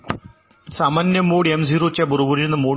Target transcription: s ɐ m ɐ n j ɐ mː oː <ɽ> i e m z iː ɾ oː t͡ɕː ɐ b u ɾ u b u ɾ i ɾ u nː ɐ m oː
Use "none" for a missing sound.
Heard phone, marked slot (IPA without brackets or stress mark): ɽ